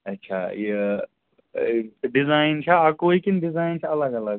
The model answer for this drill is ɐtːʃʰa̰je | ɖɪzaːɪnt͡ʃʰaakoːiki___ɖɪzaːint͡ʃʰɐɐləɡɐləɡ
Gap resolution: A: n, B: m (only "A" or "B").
A